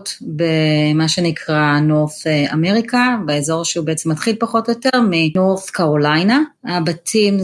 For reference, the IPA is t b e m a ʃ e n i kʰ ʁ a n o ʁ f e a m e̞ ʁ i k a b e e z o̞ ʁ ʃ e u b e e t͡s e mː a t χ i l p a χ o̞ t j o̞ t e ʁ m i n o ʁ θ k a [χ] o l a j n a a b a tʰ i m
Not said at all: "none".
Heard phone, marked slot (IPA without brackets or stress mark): ʁ